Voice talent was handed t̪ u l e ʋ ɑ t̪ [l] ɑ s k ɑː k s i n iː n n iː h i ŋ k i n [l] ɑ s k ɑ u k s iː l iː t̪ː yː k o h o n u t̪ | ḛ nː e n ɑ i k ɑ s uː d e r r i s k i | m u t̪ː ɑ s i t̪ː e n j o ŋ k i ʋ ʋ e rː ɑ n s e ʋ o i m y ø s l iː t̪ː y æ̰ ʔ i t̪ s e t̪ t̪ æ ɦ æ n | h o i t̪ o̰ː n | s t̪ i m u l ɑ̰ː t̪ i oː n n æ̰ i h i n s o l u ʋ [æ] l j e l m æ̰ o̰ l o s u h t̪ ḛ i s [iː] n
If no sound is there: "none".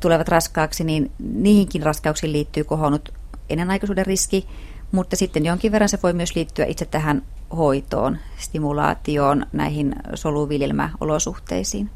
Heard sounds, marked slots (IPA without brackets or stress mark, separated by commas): r, r, i, iː